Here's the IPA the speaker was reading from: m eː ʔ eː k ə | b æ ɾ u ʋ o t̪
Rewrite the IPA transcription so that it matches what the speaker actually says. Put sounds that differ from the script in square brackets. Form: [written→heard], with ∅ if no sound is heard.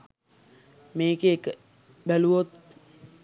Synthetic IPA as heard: m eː [ʔ→k] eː k ə | b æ [ɾ→l] u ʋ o t̪